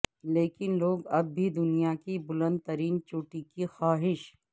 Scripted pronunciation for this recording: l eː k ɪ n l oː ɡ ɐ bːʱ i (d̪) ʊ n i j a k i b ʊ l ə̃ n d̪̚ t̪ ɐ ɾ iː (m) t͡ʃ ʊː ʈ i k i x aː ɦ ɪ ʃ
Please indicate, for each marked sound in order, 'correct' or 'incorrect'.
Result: correct, incorrect: n

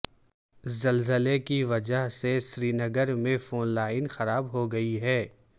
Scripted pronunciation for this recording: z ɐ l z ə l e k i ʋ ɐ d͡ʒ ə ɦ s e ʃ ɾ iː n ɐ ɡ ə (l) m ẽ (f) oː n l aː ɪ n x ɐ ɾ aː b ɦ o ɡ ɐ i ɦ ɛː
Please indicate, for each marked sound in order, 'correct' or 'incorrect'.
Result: incorrect: ɾ, correct

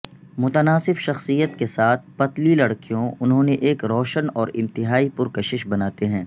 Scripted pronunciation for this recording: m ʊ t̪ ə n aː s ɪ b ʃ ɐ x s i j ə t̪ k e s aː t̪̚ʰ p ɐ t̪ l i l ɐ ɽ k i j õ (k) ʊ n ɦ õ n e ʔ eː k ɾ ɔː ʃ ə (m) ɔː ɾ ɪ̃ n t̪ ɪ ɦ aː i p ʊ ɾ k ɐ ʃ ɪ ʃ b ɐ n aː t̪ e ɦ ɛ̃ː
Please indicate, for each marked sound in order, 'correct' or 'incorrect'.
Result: incorrect: none, incorrect: n

